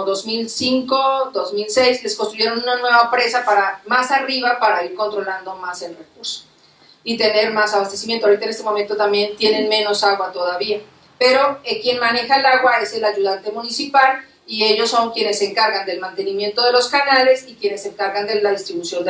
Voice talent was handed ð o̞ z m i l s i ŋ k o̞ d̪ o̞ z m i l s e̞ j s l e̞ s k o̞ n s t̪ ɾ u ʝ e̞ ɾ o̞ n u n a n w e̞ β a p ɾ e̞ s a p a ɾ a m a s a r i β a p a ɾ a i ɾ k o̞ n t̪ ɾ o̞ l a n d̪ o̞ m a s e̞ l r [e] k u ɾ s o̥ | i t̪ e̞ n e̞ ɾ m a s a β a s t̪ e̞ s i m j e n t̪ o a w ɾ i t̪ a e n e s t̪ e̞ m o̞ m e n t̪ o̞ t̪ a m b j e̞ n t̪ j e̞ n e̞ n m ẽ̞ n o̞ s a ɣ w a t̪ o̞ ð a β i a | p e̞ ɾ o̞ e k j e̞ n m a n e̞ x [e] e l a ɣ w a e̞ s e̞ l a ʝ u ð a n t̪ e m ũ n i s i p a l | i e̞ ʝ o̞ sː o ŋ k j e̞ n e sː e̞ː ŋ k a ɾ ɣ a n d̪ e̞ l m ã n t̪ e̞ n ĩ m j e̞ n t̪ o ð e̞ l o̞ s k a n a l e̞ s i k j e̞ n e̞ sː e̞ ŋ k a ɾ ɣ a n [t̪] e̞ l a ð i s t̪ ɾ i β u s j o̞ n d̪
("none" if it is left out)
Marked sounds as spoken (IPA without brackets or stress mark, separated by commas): e, a, d̪